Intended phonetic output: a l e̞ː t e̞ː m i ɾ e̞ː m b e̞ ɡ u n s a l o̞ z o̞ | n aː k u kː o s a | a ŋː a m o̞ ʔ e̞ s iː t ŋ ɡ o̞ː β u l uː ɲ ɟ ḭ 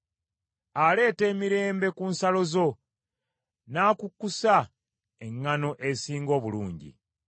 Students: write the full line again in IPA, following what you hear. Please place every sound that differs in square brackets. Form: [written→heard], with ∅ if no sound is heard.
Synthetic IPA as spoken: a l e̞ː t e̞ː m i ɾ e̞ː m b e̞ [ɡ→k] u n s a l o̞ z o̞ | n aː k u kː [o→u] s a | [a→e] ŋː a [m→n] o̞ ʔ e̞ s iː [t→∅] ŋ ɡ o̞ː β u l uː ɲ ɟ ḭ